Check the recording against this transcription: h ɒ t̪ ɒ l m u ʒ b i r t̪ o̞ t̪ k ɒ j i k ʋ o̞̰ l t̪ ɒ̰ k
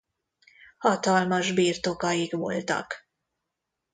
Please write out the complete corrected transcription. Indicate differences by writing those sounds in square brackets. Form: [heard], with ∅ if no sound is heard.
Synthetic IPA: h ɒ t̪ ɒ l m [ɒ] ʒ b [iː] r t̪ o̞ [∅] k ɒ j i k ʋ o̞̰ l t̪ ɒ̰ k

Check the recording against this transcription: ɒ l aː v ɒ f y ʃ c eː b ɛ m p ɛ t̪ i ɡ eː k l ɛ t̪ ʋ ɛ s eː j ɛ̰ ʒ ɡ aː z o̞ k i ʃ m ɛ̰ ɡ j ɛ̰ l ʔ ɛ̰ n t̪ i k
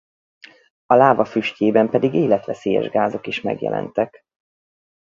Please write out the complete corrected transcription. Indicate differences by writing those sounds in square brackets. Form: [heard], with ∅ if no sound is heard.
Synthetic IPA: ɒ l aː v ɒ f y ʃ c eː b ɛ m p ɛ [d̪] i ɡ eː [∅] l ɛ t̪ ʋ ɛ s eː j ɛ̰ ʒ ɡ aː z o̞ k i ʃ m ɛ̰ ɡ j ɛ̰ l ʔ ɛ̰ n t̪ [ɛ] k

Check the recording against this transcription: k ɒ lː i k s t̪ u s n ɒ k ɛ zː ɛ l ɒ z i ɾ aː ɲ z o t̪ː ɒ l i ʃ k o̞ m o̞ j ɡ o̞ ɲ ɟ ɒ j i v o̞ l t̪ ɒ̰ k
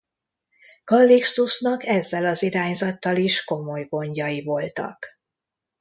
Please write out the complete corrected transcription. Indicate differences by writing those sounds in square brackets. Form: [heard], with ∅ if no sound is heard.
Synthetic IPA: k ɒ lː i k s t̪ u s n ɒ k ɛ zː ɛ l ɒ z i ɾ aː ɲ z [ɒ] t̪ː ɒ l i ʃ k o̞ m o̞ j ɡ o̞ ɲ ɟ ɒ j i v o̞ l t̪ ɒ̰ k

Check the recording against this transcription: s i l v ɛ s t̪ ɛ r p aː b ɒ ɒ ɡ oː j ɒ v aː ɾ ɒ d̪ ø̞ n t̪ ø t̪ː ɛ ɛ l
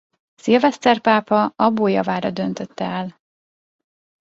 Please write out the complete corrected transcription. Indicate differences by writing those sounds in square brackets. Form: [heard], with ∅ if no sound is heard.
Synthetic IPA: s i l v ɛ s t̪ ɛ r p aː [p] ɒ ɒ [b] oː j ɒ v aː ɾ ɒ d̪ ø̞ n t̪ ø t̪ː ɛ ɛ l

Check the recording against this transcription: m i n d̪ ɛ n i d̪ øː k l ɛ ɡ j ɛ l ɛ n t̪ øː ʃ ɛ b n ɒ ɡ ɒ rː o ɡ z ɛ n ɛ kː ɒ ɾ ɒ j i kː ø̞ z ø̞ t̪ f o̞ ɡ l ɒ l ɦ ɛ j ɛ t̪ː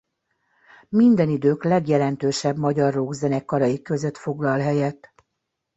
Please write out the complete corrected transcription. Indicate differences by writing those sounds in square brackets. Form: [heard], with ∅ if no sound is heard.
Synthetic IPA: m i n d̪ ɛ n i d̪ øː k l ɛ ɡ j ɛ l ɛ n t̪ øː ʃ ɛ b [m] ɒ [ɟ] ɒ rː o ɡ z ɛ n ɛ kː ɒ ɾ ɒ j i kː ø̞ z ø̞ t̪ f o̞ ɡ l ɒ l ɦ ɛ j ɛ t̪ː

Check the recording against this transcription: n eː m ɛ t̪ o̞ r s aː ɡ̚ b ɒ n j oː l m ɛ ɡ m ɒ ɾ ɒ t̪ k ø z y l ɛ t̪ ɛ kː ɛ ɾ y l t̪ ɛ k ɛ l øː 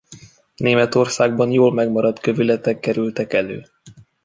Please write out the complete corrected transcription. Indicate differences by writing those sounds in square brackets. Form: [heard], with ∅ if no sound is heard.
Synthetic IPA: n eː m ɛ t̪ o̞ r s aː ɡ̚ b ɒ n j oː l m ɛ ɡ m ɒ ɾ ɒ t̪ k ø [v] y l ɛ t̪ ɛ kː ɛ ɾ y l t̪ ɛ k ɛ l øː

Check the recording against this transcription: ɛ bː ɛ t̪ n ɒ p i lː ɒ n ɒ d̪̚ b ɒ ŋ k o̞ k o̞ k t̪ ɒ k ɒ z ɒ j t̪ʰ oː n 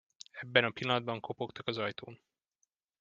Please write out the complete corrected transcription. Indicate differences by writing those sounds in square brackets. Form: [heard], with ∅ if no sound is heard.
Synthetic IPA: ɛ bː ɛ [∅] n ɒ p i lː ɒ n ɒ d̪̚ b ɒ ŋ k o̞ [p] o̞ k t̪ ɒ k ɒ z ɒ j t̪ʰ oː n

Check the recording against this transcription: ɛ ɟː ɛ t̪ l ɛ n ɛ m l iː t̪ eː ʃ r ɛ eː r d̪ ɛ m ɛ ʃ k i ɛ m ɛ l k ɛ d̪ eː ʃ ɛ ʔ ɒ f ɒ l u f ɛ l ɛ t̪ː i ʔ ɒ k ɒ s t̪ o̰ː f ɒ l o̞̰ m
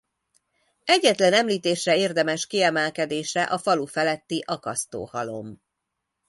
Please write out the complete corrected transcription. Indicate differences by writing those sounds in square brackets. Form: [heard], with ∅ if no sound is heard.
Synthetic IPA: ɛ ɟː ɛ t̪ l ɛ n ɛ m l iː t̪ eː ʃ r ɛ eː r d̪ ɛ m ɛ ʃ k i ɛ m ɛ l k ɛ d̪ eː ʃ ɛ ʔ ɒ f ɒ l u f ɛ l ɛ t̪ː i ʔ ɒ k ɒ s t̪ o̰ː [h] ɒ l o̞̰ m

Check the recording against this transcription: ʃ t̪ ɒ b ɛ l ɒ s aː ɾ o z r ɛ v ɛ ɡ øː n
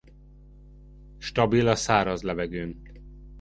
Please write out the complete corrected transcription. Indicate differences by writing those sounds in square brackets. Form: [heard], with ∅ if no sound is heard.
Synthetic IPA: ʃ t̪ ɒ b [i] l ɒ s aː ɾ [ɒ] z [l] ɛ v ɛ ɡ øː n

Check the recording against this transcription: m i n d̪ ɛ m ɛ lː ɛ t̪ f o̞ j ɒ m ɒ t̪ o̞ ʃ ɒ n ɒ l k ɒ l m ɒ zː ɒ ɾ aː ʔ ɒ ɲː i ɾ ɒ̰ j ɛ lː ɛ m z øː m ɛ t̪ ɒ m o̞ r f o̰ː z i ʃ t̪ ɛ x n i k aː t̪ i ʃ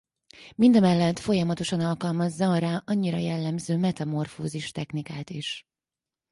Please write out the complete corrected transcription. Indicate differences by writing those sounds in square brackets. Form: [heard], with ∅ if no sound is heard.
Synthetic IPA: m i n d̪ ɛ m ɛ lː ɛ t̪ f o̞ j ɒ m ɒ t̪ o̞ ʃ ɒ n ɒ l k ɒ l m ɒ zː ɒ ɾ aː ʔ ɒ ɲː i ɾ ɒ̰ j ɛ lː ɛ m z øː m ɛ t̪ ɒ m o̞ r f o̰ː z i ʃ t̪ ɛ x n i k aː t̪ i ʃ

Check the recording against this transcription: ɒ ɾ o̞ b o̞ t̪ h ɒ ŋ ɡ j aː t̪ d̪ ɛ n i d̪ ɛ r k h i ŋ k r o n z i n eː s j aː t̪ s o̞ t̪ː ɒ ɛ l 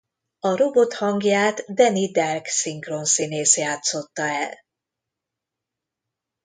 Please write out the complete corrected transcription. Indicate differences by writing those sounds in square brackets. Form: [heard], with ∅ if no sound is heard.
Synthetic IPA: ɒ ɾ o̞ b o̞ t̪ h ɒ ŋ ɡ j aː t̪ d̪ ɛ n i d̪ ɛ r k [s] i ŋ k r o n [s] i n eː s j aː t̪ s o̞ t̪ː ɒ ɛ l

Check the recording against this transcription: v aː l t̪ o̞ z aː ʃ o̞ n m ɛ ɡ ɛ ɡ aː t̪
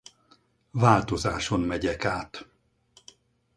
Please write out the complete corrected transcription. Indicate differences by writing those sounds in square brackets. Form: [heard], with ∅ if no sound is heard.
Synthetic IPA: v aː l t̪ o̞ z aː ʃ o̞ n m ɛ [ɟ] ɛ [k] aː t̪

